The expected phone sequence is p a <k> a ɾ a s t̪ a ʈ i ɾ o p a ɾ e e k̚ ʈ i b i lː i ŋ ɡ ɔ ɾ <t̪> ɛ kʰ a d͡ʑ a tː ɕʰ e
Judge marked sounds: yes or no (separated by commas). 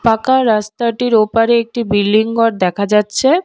yes, no